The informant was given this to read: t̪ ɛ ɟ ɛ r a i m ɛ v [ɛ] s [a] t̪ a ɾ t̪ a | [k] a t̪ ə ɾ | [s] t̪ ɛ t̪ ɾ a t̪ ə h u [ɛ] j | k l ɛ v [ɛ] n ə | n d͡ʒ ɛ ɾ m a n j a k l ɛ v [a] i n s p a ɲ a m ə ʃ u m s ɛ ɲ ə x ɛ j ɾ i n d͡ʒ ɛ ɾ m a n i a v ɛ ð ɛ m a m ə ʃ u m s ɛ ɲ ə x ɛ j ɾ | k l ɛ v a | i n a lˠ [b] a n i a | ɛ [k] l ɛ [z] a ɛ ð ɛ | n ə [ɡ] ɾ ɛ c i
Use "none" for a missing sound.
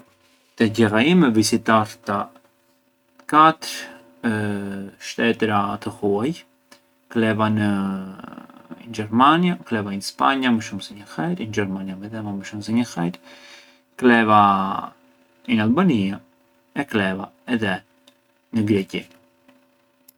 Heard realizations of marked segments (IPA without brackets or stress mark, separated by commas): i, i, k, ʃ, a, a, a, b, k, v, ɡ